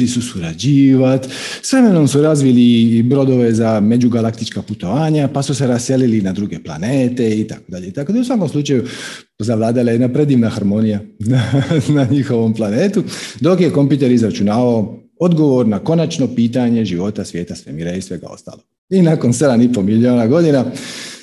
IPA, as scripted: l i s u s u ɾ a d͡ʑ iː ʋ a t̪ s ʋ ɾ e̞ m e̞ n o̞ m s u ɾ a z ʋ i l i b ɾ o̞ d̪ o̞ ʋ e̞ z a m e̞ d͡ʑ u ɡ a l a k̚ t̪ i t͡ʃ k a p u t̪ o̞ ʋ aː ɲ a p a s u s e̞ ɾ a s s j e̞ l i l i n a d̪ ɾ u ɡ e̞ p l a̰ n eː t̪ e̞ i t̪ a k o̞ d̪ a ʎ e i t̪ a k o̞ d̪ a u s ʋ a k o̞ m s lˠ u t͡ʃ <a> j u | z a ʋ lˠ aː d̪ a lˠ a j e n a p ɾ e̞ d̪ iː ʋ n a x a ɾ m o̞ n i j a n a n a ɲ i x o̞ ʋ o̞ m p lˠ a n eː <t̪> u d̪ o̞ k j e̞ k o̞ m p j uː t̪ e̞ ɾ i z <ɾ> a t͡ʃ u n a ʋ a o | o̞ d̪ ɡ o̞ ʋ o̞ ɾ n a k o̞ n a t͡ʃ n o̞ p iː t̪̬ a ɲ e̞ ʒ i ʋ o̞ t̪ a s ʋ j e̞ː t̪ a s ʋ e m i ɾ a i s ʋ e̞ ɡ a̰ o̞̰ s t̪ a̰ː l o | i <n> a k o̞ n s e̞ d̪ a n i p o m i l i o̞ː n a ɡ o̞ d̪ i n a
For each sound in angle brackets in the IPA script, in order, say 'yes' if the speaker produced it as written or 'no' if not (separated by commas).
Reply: yes, yes, yes, yes